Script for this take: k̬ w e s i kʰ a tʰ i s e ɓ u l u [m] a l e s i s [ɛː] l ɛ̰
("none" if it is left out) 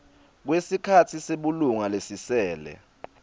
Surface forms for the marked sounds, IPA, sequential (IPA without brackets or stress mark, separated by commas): ŋ, ɛː